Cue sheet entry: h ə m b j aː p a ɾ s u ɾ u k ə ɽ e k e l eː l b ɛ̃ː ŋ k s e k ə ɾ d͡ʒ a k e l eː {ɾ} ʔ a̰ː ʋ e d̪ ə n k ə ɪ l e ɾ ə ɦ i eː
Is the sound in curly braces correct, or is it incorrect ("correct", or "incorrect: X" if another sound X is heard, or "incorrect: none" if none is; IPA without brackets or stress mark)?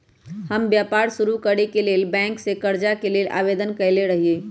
incorrect: l